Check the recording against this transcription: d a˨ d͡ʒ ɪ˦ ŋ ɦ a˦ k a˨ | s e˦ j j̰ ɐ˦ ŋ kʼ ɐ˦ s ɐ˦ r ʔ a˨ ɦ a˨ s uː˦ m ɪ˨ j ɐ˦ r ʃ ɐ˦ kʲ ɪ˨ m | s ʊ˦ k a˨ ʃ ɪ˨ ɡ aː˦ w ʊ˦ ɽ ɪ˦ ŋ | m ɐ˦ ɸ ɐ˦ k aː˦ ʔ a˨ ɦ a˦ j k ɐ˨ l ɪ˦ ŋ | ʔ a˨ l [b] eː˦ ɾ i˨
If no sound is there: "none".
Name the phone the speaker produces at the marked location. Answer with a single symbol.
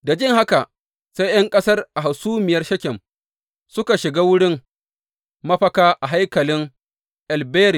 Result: b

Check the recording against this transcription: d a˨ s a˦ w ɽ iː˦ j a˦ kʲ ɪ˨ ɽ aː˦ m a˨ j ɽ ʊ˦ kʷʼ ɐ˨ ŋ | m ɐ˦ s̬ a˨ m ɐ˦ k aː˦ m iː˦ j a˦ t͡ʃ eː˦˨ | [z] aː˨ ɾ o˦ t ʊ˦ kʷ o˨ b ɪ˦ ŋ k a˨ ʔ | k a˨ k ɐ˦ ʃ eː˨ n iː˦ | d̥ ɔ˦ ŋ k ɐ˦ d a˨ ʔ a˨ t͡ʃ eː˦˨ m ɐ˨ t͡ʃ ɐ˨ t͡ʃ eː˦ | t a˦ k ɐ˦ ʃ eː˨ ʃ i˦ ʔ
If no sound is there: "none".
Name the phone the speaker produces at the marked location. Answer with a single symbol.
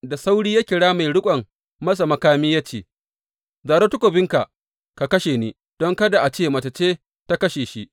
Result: z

